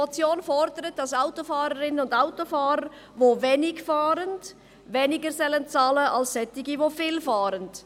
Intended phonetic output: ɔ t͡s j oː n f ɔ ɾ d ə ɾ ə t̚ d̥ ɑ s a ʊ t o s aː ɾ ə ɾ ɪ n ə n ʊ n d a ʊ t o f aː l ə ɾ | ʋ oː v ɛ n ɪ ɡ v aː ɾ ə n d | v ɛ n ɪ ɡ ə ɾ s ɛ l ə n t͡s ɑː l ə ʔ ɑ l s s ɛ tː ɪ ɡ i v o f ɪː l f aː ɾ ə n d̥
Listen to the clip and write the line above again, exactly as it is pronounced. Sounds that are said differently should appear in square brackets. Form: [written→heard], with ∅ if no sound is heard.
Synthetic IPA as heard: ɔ t͡s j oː n f ɔ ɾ d ə ɾ ə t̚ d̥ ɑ s a ʊ t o [s→f] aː ɾ ə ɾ ɪ n ə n ʊ n d a ʊ t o f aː [l→ɾ] ə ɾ | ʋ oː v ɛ n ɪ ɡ [v→f] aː ɾ ə n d | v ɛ n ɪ ɡ ə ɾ s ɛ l ə n t͡s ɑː l ə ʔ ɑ l s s ɛ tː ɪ ɡ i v o f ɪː l f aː ɾ ə n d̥

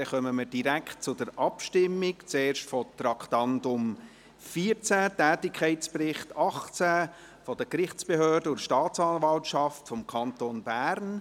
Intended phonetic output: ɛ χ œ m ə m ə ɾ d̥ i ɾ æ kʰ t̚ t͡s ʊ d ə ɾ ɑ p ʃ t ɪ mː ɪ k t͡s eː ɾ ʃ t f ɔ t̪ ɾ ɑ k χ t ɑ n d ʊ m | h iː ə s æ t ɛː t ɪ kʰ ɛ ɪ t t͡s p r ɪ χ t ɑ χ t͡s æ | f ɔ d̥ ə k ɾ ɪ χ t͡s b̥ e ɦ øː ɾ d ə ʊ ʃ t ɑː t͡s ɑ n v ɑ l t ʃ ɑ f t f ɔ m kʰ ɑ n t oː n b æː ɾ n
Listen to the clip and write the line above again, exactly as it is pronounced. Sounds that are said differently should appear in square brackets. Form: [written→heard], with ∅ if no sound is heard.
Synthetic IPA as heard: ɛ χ œ m ə m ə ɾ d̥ i ɾ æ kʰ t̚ t͡s ʊ d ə ɾ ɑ p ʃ t ɪ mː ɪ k t͡s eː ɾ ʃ t f ɔ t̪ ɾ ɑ k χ t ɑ n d ʊ m | [h→f] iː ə [s→t͡s] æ t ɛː t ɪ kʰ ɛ ɪ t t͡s p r ɪ χ t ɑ χ t͡s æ | f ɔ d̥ ə k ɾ ɪ χ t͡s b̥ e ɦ øː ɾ d ə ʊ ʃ t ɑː t͡s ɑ n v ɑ l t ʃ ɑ f t f ɔ m kʰ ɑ n t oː n b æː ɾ n

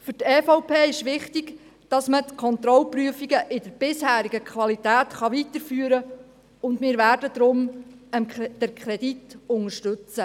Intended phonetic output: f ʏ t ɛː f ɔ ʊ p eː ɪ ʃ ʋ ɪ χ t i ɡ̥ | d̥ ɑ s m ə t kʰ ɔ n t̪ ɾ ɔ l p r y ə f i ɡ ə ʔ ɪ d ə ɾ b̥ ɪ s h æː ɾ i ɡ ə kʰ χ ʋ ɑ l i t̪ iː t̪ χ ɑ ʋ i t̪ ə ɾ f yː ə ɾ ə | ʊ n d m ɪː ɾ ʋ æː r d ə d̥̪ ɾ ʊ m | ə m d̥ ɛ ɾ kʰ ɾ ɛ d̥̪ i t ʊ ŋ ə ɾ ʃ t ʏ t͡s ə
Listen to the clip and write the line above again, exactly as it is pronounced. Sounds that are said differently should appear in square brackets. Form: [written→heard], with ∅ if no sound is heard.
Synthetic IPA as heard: f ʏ t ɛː f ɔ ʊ p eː ɪ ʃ ʋ ɪ χ t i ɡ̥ | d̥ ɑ s m ə t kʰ ɔ n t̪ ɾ ɔ l p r y ə f i ɡ ə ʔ ɪ d ə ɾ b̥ ɪ s h æː ɾ i ɡ ə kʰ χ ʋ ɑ l i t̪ [iː→æː] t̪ χ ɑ ʋ i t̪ ə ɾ f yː ə ɾ ə | ʊ n d m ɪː ɾ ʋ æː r d ə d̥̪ ɾ ʊ m | ə m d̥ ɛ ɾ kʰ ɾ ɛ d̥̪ i t ʊ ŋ ə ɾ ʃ t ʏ t͡s ə

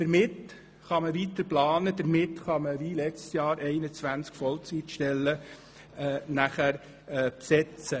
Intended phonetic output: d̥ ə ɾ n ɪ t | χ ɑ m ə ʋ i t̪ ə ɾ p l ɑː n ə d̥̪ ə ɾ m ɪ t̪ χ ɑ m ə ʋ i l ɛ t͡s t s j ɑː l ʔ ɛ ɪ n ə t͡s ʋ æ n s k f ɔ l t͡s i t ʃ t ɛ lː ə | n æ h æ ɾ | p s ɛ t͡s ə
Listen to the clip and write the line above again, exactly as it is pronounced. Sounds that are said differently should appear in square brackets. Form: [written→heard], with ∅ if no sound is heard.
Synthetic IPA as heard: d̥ ə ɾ [n→m] ɪ t | χ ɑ m ə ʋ i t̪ ə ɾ p l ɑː n ə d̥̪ ə ɾ m ɪ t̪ χ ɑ m ə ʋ i l ɛ t͡s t s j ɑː [l→ɾ] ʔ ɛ ɪ n ə t͡s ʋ æ n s k f ɔ l t͡s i t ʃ t ɛ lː ə | n æ [h→χ] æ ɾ | p s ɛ t͡s ə

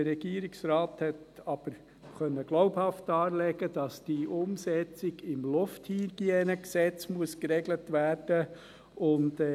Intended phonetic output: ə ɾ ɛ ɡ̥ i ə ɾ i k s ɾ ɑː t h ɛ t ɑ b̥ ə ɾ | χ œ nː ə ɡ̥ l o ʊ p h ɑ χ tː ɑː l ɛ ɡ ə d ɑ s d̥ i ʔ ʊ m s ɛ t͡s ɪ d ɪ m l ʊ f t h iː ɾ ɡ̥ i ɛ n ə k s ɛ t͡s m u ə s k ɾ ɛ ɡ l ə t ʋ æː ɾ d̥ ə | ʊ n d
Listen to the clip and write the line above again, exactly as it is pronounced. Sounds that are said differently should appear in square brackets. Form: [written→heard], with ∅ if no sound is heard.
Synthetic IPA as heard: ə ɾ ɛ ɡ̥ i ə ɾ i k s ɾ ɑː t h ɛ t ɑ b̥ ə ɾ | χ œ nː ə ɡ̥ l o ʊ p h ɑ [χ→f] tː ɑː l ɛ ɡ ə d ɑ s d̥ i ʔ ʊ m s ɛ t͡s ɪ [d→ɡ] ɪ m l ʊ f t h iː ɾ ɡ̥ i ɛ n ə k s ɛ t͡s m u ə s k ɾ ɛ ɡ l ə t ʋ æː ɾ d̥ ə | ʊ n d

